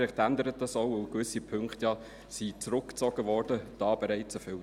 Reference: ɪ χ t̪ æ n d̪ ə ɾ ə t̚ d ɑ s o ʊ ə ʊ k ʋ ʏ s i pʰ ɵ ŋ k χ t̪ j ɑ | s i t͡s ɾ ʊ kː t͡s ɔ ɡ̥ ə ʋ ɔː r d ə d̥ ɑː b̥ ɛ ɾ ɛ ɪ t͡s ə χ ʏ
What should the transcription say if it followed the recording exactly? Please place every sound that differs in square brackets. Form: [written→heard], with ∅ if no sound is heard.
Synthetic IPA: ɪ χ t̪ æ n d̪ ə ɾ ə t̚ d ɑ s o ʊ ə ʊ k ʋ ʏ s i pʰ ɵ ŋ k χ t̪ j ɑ | s i t͡s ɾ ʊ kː t͡s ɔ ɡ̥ ə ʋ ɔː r d ə d̥ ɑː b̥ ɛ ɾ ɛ ɪ t͡s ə [χ→f] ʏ